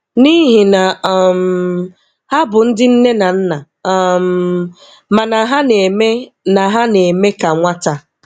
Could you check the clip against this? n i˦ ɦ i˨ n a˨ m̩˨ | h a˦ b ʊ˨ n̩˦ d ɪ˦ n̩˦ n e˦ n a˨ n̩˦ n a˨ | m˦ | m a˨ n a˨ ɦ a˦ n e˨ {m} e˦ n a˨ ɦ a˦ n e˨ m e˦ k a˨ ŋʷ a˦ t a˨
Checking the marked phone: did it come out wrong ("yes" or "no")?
no